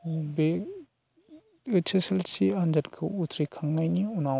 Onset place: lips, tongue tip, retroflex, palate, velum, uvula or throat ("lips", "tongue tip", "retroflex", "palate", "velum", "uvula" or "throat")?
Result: lips